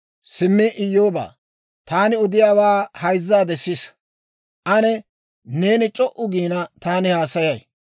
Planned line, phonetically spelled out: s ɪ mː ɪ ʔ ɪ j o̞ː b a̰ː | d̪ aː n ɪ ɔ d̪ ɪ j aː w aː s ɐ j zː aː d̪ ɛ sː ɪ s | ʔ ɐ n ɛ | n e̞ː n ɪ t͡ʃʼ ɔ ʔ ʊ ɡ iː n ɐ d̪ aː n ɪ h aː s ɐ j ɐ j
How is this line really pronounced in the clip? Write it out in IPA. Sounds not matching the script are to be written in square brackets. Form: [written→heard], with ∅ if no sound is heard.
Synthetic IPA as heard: s ɪ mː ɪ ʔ ɪ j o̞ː b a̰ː | [d̪→t̪] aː n ɪ ɔ d̪ ɪ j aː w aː [s→h] ɐ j zː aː d̪ ɛ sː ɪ s | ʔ ɐ n ɛ | n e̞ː n ɪ t͡ʃʼ ɔ ʔ ʊ ɡ iː n ɐ [d̪→t̪] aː n ɪ h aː s ɐ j ɐ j